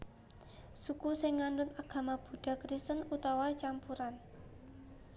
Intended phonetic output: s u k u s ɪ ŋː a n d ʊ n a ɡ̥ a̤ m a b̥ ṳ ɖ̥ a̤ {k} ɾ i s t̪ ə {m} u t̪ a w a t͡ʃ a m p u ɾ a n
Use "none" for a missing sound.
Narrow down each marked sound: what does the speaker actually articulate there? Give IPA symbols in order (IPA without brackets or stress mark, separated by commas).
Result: k, n